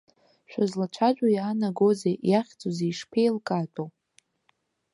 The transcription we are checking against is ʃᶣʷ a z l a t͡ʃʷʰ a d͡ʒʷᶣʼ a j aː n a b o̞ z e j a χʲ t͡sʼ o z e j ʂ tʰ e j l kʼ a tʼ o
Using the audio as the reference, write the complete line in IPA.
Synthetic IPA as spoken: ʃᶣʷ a z l a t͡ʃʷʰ a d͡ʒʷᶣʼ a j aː n a ɡ o̞ z e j a χʲ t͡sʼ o z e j ʂ pʰ e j l kʼ a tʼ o